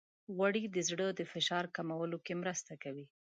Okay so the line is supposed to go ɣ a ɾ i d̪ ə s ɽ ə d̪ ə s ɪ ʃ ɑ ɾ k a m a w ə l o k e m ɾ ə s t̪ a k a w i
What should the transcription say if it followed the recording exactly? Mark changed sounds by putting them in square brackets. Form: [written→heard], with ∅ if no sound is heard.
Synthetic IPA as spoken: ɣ a [ɾ→ɽ] i d̪ ə [s→z] ɽ ə d̪ ə [s→f] ɪ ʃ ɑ ɾ k a m a w ə l o k e m ɾ ə s t̪ a k a w i